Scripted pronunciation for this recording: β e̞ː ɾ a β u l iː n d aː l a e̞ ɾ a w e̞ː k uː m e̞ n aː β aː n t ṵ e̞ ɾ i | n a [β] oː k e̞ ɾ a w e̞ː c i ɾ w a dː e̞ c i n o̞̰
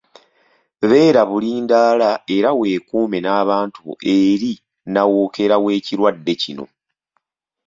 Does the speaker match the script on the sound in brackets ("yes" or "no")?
no